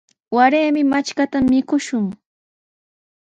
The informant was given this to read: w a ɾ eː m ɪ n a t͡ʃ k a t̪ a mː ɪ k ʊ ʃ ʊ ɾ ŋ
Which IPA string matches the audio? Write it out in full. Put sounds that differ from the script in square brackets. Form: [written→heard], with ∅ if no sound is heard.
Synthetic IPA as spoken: w a ɾ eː m ɪ [n→m] a t͡ʃ k a t̪ a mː ɪ k ʊ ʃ ʊ [ɾ→∅] ŋ